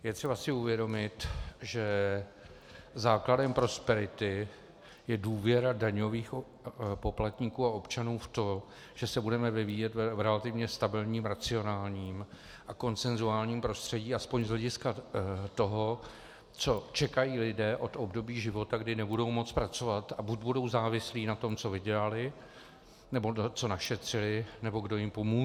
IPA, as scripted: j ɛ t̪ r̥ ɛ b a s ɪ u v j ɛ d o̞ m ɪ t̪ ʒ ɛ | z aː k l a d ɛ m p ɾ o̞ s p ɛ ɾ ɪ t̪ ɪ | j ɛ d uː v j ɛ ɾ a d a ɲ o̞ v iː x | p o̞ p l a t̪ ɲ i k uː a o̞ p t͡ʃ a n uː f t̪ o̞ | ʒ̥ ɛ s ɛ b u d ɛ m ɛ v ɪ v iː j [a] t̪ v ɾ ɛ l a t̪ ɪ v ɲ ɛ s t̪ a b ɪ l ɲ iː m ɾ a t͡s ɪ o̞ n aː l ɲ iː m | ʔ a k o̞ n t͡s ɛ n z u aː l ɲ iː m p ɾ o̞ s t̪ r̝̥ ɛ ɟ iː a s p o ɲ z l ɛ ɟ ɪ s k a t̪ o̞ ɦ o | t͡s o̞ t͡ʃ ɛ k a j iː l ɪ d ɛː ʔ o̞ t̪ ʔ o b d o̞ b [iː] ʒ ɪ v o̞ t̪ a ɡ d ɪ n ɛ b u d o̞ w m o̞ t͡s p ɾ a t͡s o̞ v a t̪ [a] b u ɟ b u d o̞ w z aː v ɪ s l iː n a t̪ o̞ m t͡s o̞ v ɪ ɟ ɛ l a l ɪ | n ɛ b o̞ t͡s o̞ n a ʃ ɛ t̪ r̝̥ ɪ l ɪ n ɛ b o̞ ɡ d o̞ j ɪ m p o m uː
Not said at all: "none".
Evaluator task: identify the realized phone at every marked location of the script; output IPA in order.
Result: ɛ, iː, a

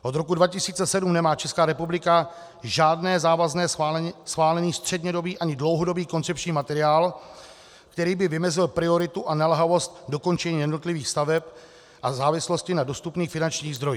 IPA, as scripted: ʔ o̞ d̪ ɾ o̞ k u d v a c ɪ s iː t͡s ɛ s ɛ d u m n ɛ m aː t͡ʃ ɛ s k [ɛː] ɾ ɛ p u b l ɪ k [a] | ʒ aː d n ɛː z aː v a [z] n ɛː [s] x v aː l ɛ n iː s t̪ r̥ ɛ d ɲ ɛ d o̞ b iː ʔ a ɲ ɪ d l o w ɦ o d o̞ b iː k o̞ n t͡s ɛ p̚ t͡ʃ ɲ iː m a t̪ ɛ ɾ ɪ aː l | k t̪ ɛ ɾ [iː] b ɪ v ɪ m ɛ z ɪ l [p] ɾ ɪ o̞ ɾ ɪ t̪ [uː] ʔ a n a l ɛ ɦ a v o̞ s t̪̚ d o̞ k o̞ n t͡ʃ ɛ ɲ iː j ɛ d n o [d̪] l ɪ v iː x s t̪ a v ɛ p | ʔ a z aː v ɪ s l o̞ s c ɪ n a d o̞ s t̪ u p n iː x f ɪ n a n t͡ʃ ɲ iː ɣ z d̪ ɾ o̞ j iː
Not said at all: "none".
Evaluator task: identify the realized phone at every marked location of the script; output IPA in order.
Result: aː, a, z, s, iː, p, u, t̪

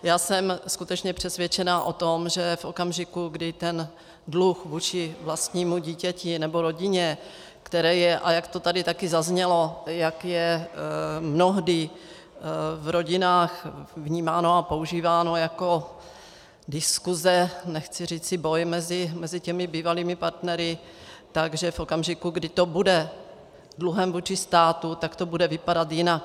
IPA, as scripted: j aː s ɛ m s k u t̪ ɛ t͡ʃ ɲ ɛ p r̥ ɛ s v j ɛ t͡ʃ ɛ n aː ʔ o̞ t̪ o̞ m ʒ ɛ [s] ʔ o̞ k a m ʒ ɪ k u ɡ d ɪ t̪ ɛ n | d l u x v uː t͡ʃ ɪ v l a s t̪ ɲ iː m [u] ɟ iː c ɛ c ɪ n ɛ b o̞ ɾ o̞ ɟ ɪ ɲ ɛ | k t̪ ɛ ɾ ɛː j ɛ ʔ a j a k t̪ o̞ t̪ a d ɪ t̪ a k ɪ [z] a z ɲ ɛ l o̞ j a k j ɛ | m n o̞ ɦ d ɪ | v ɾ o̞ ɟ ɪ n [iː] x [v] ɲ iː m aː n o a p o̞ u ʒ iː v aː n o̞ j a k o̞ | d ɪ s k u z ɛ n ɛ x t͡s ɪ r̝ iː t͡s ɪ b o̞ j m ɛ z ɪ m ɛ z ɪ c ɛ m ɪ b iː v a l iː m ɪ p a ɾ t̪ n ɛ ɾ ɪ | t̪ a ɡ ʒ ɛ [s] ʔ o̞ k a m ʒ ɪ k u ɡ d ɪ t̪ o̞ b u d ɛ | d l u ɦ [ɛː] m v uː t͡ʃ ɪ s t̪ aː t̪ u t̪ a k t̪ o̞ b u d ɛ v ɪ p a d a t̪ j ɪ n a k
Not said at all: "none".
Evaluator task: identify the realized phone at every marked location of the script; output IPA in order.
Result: f, u, z, aː, v, f, ɛ

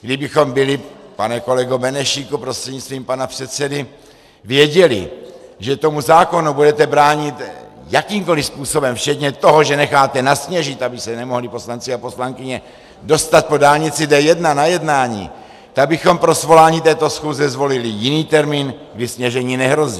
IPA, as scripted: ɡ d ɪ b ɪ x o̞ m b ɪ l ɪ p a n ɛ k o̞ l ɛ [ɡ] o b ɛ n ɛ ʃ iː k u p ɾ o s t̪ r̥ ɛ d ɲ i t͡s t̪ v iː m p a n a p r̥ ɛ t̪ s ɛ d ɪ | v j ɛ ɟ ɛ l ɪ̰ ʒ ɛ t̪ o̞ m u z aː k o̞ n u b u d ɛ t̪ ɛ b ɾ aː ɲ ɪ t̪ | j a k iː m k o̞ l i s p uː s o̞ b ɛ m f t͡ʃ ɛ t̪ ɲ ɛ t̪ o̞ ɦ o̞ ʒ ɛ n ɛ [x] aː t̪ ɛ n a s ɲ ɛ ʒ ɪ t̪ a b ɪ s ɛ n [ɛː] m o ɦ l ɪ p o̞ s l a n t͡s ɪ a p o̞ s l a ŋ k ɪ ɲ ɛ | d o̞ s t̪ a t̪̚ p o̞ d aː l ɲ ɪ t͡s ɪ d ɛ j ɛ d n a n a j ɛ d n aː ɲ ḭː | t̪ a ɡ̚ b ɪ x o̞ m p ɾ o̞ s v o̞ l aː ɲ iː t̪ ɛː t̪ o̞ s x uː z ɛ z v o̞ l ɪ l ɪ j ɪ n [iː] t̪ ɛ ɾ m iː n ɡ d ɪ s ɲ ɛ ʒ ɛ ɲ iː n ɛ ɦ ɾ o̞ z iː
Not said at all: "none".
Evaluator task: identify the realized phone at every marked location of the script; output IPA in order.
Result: ɡ, x, ɛ, iː

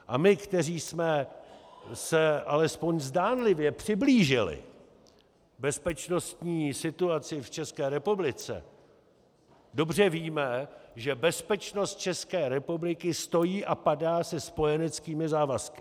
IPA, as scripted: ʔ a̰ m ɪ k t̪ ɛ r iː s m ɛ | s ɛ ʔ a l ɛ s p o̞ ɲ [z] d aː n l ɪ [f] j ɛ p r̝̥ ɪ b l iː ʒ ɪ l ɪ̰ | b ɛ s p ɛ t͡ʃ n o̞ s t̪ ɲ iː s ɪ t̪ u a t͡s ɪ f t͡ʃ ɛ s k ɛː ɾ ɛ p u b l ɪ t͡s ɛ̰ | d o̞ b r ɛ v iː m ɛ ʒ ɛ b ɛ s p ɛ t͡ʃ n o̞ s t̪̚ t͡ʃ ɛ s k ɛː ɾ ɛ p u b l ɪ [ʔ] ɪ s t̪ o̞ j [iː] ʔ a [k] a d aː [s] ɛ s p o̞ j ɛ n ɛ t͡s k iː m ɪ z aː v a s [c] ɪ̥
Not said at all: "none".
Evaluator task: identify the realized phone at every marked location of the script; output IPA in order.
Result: z, v, k, iː, p, s, k

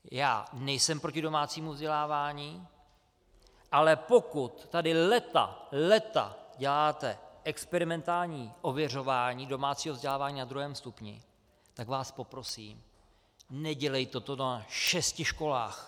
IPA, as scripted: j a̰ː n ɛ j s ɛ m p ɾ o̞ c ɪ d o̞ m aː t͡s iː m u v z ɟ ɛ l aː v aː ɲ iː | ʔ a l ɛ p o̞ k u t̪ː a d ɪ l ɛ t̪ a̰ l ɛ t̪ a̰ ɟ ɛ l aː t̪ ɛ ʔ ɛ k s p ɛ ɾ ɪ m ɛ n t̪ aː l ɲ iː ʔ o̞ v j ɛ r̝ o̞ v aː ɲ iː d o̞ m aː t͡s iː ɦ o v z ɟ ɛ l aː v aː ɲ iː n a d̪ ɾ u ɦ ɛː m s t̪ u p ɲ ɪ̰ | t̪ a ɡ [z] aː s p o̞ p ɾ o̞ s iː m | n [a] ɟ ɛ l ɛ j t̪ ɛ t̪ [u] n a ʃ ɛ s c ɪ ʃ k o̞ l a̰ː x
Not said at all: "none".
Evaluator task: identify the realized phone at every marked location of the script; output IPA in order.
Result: v, ɛ, o

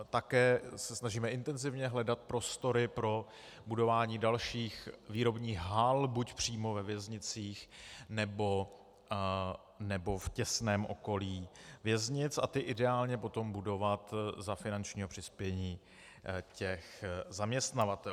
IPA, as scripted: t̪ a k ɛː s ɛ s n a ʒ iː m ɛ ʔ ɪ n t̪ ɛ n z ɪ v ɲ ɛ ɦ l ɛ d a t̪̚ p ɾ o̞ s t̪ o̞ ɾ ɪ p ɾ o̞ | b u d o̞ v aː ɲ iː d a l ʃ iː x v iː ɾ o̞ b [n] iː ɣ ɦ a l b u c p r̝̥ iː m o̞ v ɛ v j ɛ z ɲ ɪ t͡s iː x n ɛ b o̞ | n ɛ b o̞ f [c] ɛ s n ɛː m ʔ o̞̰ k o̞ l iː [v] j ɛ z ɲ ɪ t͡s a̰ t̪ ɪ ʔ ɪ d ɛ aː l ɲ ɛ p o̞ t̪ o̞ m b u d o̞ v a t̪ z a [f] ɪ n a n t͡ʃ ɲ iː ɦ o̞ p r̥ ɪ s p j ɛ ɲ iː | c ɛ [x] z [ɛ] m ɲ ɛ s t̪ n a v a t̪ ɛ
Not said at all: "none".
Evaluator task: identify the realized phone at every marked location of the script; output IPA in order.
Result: ɲ, c, v, f, x, a

